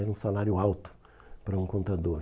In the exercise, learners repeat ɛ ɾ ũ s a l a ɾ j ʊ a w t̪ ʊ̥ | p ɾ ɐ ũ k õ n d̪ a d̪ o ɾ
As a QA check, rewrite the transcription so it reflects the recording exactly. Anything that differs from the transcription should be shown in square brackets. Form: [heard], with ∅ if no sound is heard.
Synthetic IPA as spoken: ɛ ɾ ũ s a l a ɾ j ʊ a w t̪ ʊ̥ | p ɾ ɐ ũ k õ n [t̪] a d̪ o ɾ